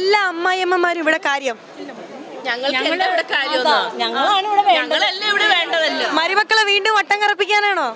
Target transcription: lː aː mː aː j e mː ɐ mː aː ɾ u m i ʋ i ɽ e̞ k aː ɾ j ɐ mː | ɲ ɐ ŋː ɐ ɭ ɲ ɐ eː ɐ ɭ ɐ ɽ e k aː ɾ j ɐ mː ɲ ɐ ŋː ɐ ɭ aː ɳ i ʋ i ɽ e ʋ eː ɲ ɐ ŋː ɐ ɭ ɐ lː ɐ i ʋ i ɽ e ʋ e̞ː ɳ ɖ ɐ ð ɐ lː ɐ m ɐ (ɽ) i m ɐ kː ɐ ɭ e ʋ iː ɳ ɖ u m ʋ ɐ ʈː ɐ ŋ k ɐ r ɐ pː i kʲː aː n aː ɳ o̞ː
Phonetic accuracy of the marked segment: incorrect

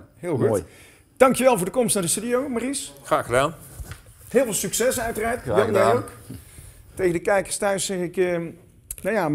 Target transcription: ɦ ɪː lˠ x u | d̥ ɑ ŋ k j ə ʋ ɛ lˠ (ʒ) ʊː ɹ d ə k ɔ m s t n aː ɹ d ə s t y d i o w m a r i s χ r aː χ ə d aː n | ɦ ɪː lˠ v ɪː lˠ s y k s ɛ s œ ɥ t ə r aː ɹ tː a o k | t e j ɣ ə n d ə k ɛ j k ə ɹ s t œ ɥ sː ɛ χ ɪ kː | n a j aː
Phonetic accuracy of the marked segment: incorrect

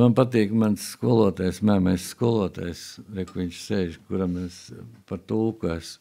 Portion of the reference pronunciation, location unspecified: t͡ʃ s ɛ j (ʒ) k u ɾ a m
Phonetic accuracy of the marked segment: correct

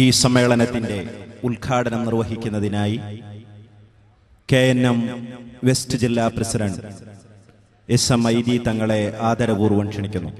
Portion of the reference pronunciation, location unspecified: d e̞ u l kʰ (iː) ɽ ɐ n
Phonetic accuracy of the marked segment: incorrect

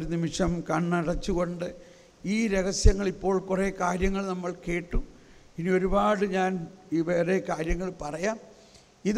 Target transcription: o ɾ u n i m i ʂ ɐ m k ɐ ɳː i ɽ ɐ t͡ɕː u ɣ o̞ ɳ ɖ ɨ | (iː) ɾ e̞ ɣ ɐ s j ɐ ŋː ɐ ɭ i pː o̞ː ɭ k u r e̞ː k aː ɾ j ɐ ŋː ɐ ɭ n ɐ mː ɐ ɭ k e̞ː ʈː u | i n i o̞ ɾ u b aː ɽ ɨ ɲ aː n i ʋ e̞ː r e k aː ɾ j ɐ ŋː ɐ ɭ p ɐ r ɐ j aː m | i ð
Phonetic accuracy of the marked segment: correct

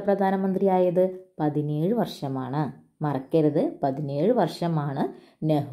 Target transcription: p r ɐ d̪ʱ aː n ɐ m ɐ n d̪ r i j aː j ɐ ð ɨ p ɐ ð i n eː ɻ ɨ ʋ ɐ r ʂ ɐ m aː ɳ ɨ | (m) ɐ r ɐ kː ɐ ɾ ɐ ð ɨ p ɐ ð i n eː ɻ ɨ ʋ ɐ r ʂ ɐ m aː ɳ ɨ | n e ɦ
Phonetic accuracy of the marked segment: correct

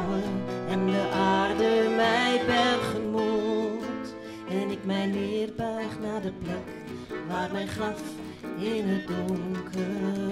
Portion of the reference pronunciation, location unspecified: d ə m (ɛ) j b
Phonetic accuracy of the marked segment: correct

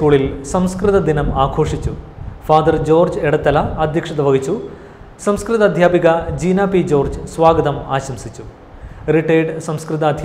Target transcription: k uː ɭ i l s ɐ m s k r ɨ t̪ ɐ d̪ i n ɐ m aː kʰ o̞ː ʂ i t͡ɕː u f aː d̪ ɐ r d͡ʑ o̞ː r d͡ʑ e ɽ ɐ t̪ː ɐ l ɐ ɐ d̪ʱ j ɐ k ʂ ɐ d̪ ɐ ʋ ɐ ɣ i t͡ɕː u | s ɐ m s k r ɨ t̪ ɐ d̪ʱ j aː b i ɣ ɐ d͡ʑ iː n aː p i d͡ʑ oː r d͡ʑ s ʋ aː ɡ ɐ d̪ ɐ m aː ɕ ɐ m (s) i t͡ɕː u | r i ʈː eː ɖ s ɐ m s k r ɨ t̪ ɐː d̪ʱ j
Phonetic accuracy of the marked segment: correct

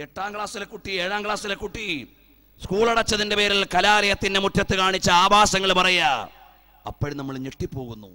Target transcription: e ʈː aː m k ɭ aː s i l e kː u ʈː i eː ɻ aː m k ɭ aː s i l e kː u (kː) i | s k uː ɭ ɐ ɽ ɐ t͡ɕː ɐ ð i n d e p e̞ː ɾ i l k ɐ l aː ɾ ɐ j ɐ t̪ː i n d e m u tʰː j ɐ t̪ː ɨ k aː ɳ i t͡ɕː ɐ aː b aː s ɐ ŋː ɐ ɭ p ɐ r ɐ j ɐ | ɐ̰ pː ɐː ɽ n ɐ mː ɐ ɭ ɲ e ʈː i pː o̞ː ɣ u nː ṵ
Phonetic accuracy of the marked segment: incorrect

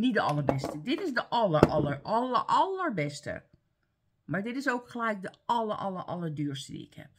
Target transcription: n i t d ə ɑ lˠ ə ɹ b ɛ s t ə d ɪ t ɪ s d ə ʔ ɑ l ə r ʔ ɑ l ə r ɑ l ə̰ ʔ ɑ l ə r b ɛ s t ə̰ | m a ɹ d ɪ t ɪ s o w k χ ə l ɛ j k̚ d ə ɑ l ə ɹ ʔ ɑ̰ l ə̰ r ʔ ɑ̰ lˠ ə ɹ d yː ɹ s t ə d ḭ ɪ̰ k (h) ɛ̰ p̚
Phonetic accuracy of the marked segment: correct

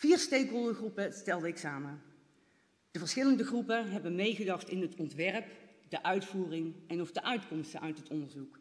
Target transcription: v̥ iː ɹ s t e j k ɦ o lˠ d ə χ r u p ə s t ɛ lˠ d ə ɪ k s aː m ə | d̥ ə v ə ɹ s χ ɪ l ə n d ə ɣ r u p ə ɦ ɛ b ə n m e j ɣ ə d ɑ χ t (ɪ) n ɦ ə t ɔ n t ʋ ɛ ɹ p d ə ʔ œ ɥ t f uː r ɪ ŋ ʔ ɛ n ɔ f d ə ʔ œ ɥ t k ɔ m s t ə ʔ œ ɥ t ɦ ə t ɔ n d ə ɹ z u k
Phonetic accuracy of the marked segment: correct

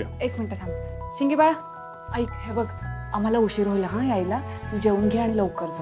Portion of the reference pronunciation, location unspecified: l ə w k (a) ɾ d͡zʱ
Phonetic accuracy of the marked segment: incorrect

